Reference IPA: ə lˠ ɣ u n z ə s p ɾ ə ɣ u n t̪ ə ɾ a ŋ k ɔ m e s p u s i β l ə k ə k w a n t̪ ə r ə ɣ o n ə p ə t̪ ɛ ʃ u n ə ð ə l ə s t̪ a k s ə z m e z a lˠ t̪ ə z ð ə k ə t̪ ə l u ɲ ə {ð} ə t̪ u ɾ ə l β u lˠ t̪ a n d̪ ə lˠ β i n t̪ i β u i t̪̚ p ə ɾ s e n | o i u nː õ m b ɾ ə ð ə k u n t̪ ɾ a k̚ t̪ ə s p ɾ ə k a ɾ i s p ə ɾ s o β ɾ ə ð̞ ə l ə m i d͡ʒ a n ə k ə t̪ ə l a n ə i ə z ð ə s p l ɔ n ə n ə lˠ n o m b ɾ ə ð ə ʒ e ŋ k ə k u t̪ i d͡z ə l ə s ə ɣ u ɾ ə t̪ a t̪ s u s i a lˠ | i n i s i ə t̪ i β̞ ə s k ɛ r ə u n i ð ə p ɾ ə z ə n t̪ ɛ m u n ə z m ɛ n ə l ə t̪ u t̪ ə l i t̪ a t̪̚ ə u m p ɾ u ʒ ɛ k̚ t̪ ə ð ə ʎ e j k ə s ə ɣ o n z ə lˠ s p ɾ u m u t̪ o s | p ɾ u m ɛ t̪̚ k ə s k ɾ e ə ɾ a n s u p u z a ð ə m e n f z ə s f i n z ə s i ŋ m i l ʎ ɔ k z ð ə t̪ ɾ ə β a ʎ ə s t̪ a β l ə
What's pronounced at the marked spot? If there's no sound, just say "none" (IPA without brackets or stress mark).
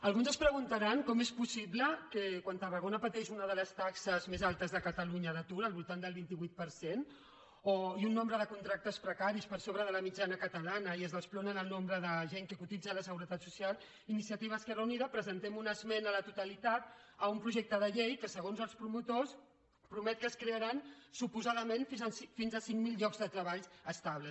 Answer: ð